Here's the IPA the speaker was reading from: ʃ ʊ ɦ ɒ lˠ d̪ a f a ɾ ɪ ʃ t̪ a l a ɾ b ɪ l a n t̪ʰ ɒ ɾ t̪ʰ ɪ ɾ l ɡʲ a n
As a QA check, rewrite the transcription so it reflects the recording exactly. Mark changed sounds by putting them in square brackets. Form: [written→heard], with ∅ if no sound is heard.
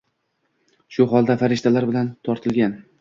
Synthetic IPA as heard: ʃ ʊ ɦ ɒ lˠ d̪ a f a ɾ ɪ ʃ t̪ a l a ɾ b ɪ l a n t̪ʰ ɒ ɾ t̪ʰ ɪ [ɾ→∅] l ɡʲ a n

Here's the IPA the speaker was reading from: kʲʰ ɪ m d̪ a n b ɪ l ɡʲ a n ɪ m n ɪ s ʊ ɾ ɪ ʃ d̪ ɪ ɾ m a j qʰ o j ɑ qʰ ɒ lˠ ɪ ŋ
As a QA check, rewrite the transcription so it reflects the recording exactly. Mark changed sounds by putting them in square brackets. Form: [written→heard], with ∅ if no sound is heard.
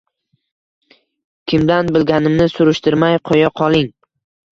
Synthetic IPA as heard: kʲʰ ɪ m d̪ a n b ɪ l ɡʲ a n ɪ m n ɪ s ʊ ɾ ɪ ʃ [d̪→t̪] ɪ ɾ m a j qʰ o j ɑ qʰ ɒ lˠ ɪ ŋ

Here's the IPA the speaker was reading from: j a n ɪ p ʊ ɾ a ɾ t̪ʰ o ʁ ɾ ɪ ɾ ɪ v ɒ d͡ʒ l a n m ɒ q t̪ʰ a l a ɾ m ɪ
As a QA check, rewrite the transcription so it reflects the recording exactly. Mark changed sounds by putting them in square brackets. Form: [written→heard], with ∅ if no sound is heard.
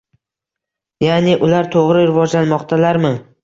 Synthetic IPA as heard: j a n ɪ [p→ʔ] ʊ [ɾ→l] a ɾ t̪ʰ o ʁ ɾ ɪ ɾ ɪ v ɒ d͡ʒ l a n m ɒ q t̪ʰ a l a ɾ m ɪ

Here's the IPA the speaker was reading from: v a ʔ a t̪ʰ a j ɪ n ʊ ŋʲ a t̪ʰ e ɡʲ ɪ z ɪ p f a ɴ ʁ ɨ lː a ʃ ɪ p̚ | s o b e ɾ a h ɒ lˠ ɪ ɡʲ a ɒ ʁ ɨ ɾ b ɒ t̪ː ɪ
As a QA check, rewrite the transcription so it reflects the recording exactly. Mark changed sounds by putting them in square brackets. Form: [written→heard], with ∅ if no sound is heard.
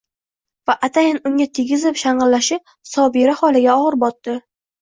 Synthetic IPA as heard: v a ʔ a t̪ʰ a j ɪ n ʊ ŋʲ a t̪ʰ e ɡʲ ɪ z ɪ p [f→ʃ] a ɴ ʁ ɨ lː a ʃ ɪ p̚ | s [o→ɒ] b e ɾ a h ɒ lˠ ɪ ɡʲ a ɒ ʁ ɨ ɾ b ɒ t̪ː ɪ

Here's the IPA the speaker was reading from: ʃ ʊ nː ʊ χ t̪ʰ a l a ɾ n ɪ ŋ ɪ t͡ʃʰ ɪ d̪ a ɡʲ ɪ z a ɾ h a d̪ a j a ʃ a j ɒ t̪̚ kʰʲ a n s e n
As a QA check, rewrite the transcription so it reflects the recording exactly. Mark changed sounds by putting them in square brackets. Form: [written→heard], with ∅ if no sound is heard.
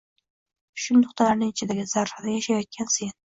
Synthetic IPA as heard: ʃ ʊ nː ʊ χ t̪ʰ a l a ɾ n ɪ ŋ ɪ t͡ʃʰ ɪ d̪ a ɡʲ ɪ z a ɾ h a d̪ a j a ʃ a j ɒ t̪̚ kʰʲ a n s e n

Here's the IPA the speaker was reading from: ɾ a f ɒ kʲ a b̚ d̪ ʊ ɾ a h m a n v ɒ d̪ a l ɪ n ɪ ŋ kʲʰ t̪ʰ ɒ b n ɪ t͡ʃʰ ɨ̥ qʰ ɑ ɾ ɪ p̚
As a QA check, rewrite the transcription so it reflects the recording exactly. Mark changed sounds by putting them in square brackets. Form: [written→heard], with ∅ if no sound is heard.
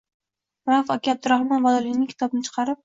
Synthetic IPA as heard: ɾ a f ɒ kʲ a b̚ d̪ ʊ ɾ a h m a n v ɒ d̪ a l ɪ n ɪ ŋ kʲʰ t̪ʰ ɒ b n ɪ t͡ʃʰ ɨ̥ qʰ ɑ ɾ ɪ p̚

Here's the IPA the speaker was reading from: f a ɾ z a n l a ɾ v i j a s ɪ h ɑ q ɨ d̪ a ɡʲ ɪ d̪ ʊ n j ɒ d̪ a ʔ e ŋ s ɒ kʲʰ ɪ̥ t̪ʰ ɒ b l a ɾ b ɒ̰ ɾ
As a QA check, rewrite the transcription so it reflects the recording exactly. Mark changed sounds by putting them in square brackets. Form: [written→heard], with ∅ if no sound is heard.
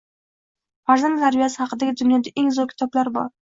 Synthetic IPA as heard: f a ɾ z a n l a ɾ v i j a s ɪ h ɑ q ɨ d̪ a ɡʲ ɪ d̪ ʊ n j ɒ d̪ a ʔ e ŋ [s→z] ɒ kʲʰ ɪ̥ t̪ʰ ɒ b l a ɾ b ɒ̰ ɾ

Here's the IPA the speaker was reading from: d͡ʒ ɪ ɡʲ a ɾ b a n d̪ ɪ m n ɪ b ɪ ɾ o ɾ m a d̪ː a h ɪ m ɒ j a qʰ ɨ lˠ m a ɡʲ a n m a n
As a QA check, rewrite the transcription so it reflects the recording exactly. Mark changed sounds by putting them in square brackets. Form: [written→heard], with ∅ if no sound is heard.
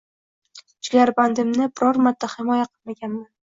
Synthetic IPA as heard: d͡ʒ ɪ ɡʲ a ɾ b a n d̪ ɪ m n ɪ b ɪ ɾ [o→ɒ] ɾ m a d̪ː a h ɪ m ɒ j a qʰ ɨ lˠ m a ɡʲ a n m a n

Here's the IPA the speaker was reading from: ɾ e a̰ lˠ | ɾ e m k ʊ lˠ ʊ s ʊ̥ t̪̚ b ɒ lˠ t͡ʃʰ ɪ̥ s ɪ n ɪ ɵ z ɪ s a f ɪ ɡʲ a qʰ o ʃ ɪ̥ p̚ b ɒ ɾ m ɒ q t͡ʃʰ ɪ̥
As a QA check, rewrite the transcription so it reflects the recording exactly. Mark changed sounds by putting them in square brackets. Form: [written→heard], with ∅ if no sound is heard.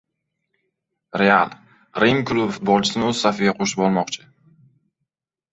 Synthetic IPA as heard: ɾ e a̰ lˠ | ɾ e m k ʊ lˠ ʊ [s→f] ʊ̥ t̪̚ b ɒ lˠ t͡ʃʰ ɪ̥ s ɪ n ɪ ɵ z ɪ s a f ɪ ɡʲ a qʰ o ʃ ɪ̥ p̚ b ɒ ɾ m ɒ q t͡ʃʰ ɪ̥

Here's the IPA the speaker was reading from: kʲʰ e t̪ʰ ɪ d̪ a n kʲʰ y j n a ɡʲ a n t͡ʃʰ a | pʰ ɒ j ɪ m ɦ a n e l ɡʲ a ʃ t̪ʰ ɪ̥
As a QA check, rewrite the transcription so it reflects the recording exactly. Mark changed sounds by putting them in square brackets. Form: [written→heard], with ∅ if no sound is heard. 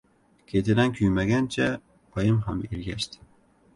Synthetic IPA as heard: kʲʰ e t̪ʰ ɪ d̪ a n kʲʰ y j [n→m] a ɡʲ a n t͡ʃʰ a | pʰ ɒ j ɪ m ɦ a [n→m] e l ɡʲ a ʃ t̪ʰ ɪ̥

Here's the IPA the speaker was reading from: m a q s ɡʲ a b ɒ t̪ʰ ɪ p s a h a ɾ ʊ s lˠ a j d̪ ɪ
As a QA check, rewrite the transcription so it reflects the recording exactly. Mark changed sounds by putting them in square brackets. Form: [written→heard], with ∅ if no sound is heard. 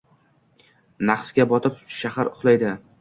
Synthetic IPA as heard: [m→n] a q s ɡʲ a b ɒ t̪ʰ ɪ p [s→ʃ] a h a ɾ ʊ [s→χ] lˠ a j d̪ ɪ

